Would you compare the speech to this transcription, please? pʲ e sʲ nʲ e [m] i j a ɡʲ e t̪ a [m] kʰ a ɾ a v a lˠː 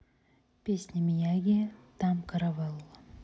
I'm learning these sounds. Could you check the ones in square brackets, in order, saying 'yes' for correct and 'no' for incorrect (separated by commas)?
yes, yes